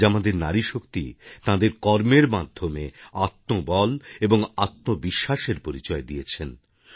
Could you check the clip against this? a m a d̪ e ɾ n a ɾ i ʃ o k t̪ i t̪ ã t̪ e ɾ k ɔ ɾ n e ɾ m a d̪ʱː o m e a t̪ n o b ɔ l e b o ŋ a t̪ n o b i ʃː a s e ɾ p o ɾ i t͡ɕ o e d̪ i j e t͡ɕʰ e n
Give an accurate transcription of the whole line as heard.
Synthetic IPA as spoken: a m a d̪ e ɾ n a ɾ i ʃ o k t̪ i t̪ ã d̪ e ɾ k ɔ ɾ m e ɾ m a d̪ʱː o m e a t̪ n o b ɔ l e b o ŋ a t̪ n o b i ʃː a ʃ e ɾ p o ɾ i t͡ɕ ɔ e d̪ i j e t͡ɕʰ e n